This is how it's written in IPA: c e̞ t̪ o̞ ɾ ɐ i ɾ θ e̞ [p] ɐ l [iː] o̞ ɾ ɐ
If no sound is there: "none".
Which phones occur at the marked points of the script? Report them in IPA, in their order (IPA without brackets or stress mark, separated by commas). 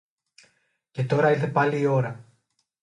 p, iː